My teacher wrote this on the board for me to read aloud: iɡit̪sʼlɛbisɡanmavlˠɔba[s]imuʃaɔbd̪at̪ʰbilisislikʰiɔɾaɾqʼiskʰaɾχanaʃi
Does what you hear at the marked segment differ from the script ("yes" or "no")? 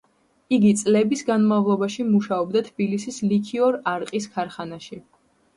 yes